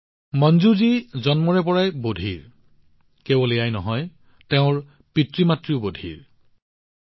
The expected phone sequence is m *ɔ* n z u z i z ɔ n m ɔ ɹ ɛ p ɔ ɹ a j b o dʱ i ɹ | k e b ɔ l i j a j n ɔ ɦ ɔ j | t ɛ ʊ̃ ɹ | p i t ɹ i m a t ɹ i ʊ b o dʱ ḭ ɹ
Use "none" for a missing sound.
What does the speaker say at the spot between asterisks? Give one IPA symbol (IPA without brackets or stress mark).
ɔ